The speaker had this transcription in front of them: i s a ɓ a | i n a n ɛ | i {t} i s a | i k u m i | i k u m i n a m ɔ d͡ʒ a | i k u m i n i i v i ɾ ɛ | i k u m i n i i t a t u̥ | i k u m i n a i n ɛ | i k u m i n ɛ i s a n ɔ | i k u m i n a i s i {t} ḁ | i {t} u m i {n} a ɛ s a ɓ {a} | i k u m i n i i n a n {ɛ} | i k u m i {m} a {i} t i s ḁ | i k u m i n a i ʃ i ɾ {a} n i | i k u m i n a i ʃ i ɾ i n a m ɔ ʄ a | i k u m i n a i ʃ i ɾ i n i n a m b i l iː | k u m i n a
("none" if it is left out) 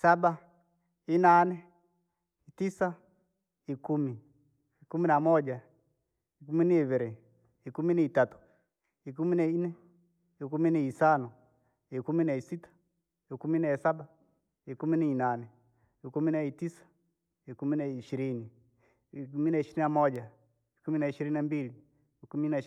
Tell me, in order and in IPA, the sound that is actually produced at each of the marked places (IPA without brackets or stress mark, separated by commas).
t, t, k, n, a, ɛ, n, i, i